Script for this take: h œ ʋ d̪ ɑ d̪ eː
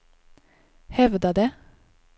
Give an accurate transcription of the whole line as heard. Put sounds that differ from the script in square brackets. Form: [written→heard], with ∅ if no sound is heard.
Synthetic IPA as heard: h [œ→ɛ] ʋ d̪ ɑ d̪ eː

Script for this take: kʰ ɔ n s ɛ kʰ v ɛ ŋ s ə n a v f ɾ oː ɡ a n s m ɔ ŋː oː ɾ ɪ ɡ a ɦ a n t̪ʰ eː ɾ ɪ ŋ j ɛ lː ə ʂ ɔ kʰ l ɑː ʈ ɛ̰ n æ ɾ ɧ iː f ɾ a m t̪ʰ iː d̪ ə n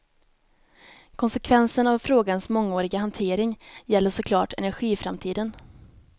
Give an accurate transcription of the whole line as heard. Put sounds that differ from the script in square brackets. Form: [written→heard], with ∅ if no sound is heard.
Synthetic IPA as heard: kʰ ɔ n s ɛ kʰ v ɛ [ŋ→n] s ə n a v f ɾ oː ɡ a n s m ɔ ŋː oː ɾ ɪ ɡ a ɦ a n t̪ʰ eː ɾ ɪ ŋ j ɛ lː ə ʂ ɔ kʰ l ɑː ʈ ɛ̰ n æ ɾ ɧ iː f ɾ a m t̪ʰ iː d̪ ə n

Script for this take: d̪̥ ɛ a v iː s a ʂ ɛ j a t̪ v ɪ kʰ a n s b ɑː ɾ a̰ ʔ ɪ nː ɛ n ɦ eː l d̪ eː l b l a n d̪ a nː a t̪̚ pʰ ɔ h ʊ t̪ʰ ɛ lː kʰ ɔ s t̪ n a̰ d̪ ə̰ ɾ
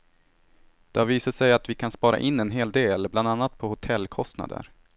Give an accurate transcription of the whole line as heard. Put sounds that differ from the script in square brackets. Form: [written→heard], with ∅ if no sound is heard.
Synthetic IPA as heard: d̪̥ ɛ a v iː s a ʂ ɛ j a t̪ v ɪ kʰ a n s [b→p] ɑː ɾ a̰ ʔ ɪ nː ɛ n ɦ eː l d̪ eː l b l a n d̪ a nː a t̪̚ pʰ ɔ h ʊ t̪ʰ ɛ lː kʰ ɔ s t̪ n a̰ d̪ ə̰ ɾ

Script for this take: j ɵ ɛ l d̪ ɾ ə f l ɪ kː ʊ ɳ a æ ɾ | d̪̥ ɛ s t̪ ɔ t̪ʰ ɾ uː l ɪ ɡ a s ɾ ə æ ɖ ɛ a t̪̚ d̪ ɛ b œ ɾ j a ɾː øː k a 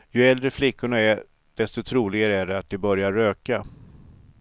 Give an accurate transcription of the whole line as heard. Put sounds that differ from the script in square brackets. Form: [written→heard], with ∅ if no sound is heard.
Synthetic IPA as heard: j ɵ ɛ l d̪ ɾ ə f l ɪ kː ʊ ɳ a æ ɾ | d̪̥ ɛ s t̪ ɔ t̪ʰ ɾ uː l ɪ ɡ a [s→∅] ɾ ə æ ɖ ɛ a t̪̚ d̪ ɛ b œ ɾ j a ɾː øː k a

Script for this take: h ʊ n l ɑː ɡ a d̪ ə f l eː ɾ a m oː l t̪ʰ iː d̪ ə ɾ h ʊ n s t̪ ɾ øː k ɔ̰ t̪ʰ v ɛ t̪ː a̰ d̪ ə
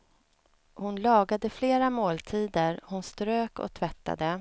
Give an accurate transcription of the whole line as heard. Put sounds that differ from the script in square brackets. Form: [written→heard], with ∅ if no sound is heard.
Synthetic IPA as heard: h ʊ n l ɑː ɡ a d̪ ə f l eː ɾ a m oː l t̪ʰ iː d̪ ə ɾ h ʊ n s t̪ ɾ øː k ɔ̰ t̪ʰ v ɛ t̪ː a̰ d̪ ə

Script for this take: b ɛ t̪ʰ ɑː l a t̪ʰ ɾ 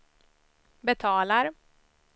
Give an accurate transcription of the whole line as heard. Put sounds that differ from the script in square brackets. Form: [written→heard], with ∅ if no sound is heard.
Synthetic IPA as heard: b ɛ t̪ʰ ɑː l a [t̪ʰ→∅] ɾ

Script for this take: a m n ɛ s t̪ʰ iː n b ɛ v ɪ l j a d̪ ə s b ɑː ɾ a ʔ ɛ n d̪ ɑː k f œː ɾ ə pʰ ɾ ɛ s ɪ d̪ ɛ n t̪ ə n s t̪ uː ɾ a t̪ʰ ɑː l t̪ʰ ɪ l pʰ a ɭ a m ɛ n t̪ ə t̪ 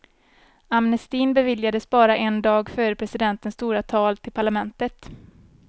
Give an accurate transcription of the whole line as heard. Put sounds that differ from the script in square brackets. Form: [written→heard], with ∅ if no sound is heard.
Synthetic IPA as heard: a m n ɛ s [t̪ʰ→t̪] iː n b ɛ v ɪ l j a d̪ ə s b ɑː ɾ a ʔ ɛ n d̪ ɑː [k→ɡ] f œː ɾ ə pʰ ɾ ɛ s ɪ d̪ ɛ n t̪ ə n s t̪ uː ɾ a t̪ʰ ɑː l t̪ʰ ɪ l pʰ a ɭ a m ɛ n t̪ ə t̪

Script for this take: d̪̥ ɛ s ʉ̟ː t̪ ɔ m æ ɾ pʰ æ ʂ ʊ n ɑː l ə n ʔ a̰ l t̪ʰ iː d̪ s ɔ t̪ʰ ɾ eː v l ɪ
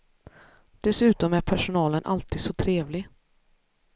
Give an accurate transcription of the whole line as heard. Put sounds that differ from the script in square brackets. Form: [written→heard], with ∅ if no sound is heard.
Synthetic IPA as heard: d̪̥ ɛ s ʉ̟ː t̪ ɔ m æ ɾ pʰ æ ʂ ʊ n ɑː l ə n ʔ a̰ l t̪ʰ iː d̪ s ɔ t̪ʰ ɾ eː v l ɪ

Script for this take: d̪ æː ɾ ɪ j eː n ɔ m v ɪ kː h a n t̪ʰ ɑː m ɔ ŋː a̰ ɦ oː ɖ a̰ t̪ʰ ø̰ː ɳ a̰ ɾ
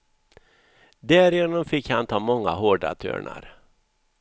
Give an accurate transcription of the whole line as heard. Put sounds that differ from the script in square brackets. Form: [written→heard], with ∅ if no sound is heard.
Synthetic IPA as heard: d̪ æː ɾ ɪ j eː n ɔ m [v→f] ɪ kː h a n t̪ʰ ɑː m ɔ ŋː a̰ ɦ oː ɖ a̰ t̪ʰ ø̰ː ɳ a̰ ɾ

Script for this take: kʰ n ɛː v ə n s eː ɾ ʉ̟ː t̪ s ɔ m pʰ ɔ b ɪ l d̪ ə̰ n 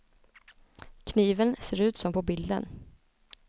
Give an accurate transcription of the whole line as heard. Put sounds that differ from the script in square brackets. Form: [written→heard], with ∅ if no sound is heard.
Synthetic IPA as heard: kʰ n [ɛː→iː] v ə n s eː ɾ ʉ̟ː t̪ s ɔ m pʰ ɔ b ɪ l d̪ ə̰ n

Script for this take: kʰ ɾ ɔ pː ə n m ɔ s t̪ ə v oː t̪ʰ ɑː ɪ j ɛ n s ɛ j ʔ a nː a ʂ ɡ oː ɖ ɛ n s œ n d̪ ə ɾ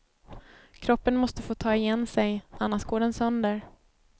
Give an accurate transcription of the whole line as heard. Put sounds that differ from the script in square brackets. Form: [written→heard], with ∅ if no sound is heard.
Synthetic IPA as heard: kʰ ɾ ɔ pː ə n m ɔ s t̪ ə [v→f] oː t̪ʰ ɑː ɪ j ɛ n s ɛ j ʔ a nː a ʂ ɡ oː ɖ ɛ n s œ n d̪ ə ɾ

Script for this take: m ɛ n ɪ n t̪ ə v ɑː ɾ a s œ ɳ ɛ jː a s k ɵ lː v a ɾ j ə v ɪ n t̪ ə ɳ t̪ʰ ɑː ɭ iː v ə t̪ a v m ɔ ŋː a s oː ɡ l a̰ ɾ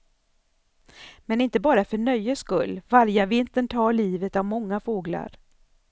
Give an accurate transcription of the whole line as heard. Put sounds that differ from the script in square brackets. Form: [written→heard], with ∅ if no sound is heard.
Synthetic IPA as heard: m ɛ n ɪ n t̪ ə [v→b] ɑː ɾ a [s→f] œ ɳ [ɛ→œ] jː [a→ə] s k ɵ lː v a ɾ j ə v ɪ n t̪ ə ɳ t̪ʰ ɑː ɭ iː v ə t̪ a v m ɔ ŋː a [s→f] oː ɡ l a̰ ɾ

